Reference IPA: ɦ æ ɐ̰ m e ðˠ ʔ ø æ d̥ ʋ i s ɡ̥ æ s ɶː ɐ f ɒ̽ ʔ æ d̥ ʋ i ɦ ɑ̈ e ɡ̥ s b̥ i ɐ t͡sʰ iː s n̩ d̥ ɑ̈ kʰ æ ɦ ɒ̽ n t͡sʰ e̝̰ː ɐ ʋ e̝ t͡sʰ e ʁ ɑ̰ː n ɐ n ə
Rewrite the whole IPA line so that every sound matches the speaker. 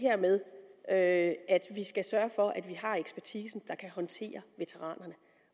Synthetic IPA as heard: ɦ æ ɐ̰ m e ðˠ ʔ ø æ d̥ ʋ i s ɡ̥ æ s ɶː ɐ f ɒ̽ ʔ æ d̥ ʋ i ɦ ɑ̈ e ɡ̥ s b̥ æ ɐ t͡sʰ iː s n̩ d̥ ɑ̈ kʰ æ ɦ ɒ̽ n t͡sʰ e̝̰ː ɐ ʋ e̝ t͡sʰ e ʁ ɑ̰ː n ɐ n ə